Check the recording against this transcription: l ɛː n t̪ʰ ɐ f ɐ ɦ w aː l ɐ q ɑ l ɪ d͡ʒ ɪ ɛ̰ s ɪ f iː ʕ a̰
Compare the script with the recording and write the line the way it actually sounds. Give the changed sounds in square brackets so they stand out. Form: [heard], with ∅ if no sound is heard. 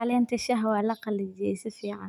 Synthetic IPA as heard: l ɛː n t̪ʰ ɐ [ʃ] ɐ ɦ w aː l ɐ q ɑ l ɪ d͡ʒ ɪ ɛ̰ s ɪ f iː ʕ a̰